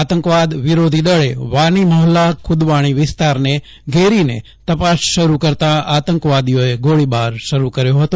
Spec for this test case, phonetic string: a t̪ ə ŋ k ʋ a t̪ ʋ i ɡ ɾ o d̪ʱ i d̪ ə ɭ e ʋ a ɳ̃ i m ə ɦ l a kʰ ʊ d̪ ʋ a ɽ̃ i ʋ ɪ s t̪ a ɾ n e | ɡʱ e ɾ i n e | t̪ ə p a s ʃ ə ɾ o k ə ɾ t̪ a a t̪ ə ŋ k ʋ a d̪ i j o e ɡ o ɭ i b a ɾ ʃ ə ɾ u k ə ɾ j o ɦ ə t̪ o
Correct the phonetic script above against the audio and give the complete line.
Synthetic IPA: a t̪ ə ŋ k ʋ a d̪ ʋ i ɾ o d̪ʱ i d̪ ə ɭ e ʋ a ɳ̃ i m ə ɦ l a kʰ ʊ d̪ ʋ a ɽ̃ i ʋ ɪ s t̪ a ɾ n e | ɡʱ e ɾ i n e | t̪ ə p a s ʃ ə ɾ u k ə ɾ t̪ a a t̪ ə ŋ k ʋ a d̪ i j o e ɡ o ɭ i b a ɾ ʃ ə ɾ u k ə ɾ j o ɦ ə t̪ o